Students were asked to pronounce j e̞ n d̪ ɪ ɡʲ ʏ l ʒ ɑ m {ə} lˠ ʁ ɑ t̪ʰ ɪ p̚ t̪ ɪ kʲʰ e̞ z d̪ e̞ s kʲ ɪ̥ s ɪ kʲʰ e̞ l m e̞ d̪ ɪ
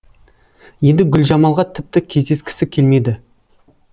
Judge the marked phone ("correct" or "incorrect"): incorrect